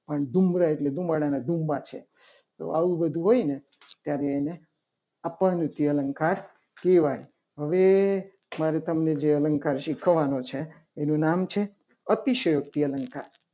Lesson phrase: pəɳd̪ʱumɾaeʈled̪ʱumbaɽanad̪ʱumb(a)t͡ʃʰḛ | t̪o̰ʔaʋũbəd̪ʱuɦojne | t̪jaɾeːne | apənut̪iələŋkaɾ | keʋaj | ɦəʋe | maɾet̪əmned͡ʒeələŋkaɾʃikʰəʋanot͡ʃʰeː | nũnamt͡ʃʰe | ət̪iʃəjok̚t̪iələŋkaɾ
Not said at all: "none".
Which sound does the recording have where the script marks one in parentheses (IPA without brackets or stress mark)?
a